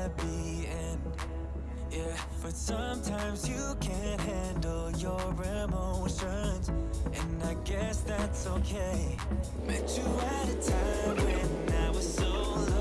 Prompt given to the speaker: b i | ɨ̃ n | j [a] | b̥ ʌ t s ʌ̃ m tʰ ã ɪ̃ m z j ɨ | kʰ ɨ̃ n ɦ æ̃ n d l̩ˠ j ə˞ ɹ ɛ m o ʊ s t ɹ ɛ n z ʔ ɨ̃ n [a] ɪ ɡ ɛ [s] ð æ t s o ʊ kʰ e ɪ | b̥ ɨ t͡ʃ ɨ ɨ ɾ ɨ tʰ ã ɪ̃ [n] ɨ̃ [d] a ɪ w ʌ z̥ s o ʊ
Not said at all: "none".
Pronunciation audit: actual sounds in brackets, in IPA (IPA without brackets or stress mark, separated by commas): æ, a, s, m, n